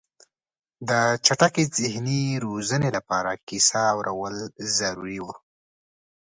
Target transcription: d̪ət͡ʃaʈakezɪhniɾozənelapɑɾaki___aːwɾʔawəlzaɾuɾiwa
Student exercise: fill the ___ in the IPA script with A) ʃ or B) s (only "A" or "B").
B